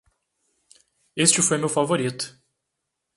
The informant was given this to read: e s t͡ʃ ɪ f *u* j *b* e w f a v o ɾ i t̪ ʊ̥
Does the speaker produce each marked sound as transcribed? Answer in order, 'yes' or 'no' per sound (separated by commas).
no, no